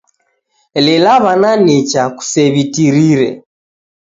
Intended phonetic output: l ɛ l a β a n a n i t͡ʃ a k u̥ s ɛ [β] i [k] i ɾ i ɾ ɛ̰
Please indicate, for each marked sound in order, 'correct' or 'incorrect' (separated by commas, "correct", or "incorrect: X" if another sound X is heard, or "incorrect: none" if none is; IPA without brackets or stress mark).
correct, incorrect: t